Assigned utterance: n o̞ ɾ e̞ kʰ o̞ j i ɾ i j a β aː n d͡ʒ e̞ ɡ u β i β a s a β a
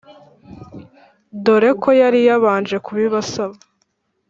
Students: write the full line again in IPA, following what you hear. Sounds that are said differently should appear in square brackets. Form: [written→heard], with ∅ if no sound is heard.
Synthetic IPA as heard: [n→d] o̞ ɾ e̞ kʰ o̞ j [i→a] ɾ i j a β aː n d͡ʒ e̞ [ɡ→k] u β i β a s a β a